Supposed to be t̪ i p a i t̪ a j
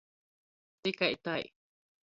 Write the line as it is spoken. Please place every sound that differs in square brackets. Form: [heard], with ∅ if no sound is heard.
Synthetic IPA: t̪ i [k] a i t̪ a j